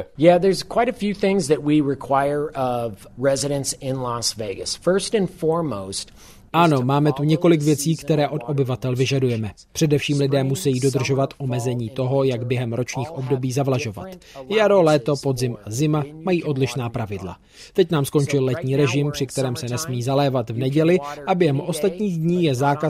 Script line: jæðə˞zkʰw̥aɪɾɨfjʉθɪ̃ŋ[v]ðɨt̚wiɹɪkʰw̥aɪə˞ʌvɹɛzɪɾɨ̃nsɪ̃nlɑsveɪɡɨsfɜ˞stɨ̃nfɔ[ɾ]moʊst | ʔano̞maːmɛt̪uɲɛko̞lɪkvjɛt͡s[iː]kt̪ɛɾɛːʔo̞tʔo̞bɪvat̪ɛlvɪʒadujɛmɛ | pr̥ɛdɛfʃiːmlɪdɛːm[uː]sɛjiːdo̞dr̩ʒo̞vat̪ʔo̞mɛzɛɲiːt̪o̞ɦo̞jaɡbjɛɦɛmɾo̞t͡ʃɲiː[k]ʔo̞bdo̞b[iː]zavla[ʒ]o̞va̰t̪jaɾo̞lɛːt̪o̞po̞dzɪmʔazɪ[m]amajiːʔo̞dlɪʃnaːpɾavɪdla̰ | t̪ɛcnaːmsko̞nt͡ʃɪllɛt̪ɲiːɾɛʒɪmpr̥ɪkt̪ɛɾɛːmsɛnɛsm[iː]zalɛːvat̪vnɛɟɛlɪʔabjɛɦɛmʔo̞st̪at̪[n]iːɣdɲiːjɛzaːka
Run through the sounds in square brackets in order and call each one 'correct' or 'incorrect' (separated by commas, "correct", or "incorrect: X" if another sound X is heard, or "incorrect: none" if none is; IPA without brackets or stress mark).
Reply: incorrect: z, incorrect: ɹ, correct, incorrect: u, incorrect: x, correct, correct, correct, correct, incorrect: ɲ